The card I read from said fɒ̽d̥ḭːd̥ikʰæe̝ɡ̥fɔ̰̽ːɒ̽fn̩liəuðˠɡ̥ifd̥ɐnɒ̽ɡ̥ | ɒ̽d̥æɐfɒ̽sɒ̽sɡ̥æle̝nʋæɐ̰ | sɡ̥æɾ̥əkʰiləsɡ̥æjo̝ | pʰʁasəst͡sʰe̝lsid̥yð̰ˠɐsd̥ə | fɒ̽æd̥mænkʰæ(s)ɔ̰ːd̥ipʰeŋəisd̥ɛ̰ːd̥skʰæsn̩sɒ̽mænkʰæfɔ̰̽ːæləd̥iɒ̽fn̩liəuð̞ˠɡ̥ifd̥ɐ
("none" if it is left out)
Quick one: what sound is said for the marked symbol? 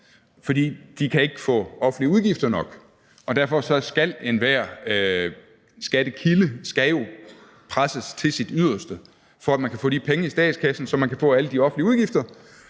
f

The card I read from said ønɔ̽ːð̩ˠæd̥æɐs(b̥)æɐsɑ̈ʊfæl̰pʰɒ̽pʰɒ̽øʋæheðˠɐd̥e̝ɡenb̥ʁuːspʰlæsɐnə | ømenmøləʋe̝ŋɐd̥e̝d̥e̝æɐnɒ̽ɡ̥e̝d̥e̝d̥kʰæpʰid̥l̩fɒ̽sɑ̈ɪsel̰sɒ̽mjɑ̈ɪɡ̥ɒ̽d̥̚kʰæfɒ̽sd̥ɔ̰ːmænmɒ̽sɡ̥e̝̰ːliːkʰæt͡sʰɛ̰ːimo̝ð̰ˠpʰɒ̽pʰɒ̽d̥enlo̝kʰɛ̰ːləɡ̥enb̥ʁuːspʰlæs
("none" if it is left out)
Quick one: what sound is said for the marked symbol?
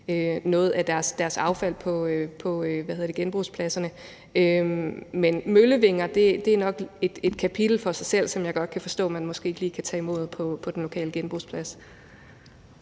d̥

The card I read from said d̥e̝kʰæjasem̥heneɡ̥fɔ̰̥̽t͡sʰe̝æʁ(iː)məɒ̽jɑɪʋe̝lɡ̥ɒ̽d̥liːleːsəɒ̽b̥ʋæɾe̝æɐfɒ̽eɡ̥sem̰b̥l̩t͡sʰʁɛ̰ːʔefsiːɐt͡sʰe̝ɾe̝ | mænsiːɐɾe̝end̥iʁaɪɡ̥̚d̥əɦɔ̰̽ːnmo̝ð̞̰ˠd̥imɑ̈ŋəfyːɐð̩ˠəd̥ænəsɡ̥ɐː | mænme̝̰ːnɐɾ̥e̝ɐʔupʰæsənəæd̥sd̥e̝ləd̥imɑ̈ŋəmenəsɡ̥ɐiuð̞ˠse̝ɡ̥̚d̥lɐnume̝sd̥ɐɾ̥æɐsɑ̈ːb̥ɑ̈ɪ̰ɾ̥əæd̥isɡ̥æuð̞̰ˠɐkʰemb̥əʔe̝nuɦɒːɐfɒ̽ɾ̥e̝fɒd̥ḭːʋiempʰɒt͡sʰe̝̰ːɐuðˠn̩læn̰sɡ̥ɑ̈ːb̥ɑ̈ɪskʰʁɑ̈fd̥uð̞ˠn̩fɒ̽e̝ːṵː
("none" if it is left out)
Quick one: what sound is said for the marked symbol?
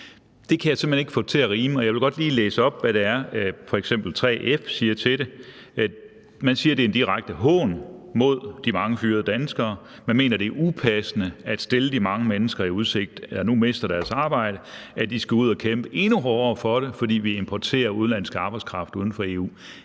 iː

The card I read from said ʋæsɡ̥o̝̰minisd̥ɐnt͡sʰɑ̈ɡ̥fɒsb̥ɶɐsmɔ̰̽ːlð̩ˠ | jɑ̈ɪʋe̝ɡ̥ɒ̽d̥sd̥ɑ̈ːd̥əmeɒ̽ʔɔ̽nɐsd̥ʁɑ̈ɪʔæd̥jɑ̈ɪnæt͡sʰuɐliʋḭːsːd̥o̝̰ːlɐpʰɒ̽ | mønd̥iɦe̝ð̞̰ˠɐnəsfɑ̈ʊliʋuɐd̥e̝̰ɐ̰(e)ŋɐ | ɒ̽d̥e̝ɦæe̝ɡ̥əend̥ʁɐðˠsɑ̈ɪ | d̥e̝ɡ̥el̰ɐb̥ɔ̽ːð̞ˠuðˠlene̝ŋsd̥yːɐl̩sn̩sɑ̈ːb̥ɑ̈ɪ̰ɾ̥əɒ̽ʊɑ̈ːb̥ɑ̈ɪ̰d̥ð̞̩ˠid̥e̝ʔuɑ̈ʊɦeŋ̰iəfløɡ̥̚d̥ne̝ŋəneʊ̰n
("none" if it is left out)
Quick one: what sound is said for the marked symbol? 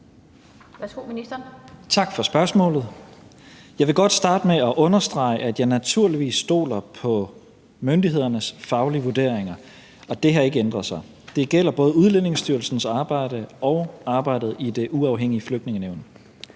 e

